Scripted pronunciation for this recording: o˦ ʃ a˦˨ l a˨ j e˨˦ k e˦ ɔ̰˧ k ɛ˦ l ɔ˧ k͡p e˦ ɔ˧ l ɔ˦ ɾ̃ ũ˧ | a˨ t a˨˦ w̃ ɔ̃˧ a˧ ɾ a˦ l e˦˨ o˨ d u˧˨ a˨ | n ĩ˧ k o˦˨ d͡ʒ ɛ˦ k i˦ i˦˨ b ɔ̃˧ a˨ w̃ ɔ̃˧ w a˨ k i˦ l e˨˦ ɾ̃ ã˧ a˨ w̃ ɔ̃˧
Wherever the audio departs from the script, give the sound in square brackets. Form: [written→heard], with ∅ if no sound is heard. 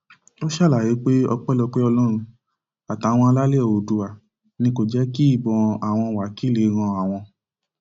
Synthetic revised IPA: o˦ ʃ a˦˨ l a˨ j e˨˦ [k→k͡p] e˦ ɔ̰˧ [k→k͡p] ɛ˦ l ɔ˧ k͡p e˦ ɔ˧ l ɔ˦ ɾ̃ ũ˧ | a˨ t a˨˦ w̃ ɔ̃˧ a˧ [ɾ→l] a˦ l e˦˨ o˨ d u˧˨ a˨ | n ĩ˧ k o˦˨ d͡ʒ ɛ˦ k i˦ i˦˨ b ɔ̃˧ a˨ w̃ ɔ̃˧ w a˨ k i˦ l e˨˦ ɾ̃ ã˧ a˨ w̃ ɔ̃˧